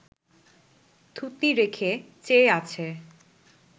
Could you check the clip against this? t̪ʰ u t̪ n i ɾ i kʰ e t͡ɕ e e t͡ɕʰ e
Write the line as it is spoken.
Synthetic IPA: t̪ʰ u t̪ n i ɾ e kʰ e t͡ɕ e a t͡ɕʰ e